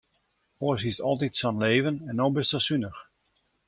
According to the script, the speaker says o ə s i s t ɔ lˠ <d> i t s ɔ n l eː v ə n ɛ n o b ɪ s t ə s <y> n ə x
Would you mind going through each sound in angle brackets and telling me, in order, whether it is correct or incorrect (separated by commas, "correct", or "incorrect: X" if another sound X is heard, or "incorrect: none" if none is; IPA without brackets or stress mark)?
incorrect: t, correct